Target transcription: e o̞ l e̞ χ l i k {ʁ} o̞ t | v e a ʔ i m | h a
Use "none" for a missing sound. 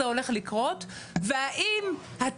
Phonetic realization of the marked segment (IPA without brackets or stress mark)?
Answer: ʁ